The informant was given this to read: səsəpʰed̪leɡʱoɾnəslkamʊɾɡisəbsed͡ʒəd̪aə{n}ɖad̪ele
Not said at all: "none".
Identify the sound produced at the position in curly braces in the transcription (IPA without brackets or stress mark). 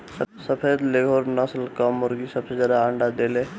ɳ